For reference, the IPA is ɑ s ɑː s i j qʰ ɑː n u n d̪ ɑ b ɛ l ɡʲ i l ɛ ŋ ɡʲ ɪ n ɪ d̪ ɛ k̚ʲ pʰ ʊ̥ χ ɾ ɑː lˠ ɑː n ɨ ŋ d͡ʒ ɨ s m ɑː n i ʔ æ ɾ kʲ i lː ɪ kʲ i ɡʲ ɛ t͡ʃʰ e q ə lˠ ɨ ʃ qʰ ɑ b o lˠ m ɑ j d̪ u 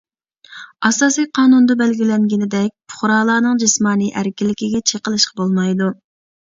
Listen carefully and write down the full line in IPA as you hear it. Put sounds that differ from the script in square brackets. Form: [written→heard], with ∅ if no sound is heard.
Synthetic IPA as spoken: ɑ s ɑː s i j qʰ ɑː n u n d̪ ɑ b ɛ l ɡʲ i l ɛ ŋ ɡʲ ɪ n ɪ d̪ ɛ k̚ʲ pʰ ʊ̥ χ ɾ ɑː lˠ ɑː n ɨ ŋ d͡ʒ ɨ s m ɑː n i ʔ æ ɾ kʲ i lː ɪ kʲ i ɡʲ ɛ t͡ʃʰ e q ə lˠ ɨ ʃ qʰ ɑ b o lˠ m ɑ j d̪ u